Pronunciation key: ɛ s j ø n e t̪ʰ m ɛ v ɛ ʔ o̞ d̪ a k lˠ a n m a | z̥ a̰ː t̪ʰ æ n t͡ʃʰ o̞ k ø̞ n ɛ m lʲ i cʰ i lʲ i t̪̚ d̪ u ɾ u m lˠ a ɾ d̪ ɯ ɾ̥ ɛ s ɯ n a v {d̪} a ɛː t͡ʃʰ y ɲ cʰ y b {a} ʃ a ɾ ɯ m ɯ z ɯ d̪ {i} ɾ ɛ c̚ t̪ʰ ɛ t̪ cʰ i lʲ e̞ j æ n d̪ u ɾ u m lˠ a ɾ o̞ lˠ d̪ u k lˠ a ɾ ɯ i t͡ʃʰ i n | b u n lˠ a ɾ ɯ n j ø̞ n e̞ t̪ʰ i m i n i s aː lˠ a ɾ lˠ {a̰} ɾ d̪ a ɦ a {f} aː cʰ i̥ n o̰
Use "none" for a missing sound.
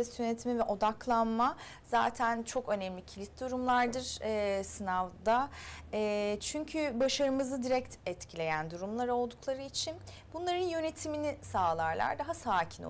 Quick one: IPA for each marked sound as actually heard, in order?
d̪, a, i, a̰, s

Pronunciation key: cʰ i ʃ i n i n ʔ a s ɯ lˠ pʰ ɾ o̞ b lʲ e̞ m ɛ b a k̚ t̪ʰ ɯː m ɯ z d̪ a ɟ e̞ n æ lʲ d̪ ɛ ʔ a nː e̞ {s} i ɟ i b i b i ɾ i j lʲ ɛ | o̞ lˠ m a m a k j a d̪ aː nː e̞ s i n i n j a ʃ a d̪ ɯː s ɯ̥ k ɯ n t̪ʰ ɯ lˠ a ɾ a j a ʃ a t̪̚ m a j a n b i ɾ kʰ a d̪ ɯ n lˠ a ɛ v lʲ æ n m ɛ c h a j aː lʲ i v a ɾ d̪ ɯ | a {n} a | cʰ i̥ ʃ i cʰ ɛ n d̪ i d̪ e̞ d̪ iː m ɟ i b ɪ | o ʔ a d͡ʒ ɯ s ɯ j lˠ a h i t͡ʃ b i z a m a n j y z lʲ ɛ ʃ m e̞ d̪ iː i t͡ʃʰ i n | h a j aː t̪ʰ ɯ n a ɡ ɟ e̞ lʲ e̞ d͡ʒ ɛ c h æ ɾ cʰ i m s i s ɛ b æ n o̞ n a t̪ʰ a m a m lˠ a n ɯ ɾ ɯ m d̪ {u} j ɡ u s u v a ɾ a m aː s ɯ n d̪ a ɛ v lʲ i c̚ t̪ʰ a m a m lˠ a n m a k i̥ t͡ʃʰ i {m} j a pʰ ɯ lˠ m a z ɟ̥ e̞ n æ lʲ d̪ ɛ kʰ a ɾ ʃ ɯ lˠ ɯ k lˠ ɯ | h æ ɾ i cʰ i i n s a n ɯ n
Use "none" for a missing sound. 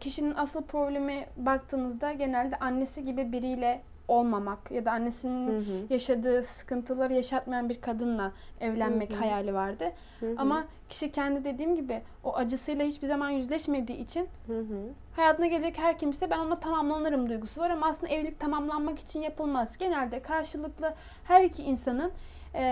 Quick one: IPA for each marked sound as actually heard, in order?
s, m, u, n

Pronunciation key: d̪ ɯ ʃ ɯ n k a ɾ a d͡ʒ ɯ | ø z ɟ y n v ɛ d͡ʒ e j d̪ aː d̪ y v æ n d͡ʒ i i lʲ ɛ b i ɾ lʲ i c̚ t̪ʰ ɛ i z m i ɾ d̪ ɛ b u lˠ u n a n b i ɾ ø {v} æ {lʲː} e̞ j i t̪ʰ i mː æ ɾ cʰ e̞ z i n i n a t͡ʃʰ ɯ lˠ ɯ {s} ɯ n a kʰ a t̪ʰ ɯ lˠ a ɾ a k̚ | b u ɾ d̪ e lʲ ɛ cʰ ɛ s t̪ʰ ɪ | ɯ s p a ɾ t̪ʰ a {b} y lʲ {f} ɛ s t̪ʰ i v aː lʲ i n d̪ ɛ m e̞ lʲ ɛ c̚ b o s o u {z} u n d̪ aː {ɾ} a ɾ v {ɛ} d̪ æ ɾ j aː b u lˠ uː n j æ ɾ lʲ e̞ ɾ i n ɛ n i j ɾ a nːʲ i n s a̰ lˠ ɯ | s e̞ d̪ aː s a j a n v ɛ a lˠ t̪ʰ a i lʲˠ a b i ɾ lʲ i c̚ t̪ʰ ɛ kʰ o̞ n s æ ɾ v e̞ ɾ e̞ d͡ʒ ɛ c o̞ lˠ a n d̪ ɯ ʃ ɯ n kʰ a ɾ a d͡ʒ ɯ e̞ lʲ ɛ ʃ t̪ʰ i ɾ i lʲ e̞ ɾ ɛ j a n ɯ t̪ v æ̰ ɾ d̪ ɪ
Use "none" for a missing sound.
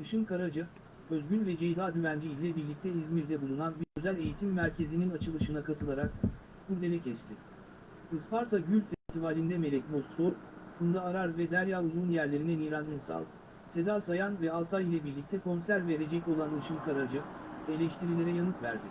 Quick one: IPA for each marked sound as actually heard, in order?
z, lʲ, ʃ, ɟ, f, s, ɾ, ɛ

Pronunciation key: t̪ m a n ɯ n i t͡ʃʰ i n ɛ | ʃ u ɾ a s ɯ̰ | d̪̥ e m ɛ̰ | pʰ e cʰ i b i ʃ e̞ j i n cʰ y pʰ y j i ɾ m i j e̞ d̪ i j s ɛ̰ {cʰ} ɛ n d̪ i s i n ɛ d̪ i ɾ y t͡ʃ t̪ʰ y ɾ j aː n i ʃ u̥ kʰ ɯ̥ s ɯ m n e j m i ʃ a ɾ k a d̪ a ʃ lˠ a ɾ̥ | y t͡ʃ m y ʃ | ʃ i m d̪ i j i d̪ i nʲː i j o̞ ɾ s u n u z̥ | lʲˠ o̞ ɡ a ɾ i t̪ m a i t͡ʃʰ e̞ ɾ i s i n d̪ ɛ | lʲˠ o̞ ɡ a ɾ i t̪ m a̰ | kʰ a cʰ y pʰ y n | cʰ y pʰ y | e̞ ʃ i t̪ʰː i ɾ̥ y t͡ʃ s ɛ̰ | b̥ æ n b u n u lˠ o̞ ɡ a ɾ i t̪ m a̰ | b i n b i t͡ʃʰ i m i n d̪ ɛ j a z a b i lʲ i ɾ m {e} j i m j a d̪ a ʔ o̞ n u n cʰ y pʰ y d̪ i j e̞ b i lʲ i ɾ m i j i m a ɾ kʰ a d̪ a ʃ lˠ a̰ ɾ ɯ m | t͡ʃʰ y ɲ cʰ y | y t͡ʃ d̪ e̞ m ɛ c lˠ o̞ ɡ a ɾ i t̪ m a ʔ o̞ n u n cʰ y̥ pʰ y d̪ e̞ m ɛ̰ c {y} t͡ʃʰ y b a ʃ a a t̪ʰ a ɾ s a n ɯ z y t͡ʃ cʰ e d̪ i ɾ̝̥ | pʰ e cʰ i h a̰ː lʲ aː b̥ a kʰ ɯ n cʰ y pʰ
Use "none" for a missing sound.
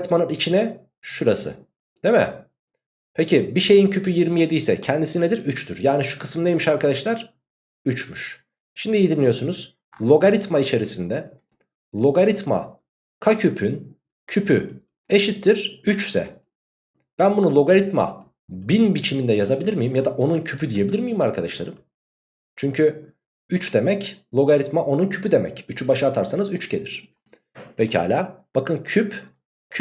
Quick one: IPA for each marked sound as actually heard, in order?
cʰ, i, y

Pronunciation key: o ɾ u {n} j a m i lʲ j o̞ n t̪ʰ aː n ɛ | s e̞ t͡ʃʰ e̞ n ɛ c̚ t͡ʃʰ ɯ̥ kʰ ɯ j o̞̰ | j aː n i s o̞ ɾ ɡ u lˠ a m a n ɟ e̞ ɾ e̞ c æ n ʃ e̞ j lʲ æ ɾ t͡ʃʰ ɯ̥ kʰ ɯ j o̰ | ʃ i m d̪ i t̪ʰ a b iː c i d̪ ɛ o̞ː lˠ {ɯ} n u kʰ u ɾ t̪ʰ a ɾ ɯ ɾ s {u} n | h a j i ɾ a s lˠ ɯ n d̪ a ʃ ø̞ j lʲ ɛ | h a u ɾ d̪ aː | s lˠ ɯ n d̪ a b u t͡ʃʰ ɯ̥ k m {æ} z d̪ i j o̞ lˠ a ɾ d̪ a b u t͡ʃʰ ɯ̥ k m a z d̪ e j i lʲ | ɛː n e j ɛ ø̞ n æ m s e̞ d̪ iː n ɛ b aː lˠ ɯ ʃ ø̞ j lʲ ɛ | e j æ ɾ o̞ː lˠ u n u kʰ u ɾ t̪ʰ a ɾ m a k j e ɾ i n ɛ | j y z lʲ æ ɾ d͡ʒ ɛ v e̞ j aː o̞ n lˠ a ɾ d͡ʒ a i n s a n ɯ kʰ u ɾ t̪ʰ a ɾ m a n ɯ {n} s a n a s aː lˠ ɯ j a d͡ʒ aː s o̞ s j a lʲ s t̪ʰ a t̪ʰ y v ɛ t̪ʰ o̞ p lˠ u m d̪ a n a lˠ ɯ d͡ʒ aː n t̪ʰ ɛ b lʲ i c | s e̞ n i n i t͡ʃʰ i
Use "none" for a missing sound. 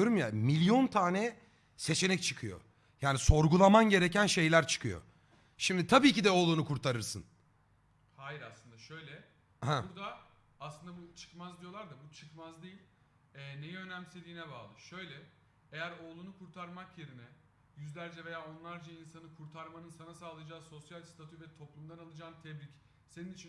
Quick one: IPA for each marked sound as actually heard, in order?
m, u, ɯ, a, n

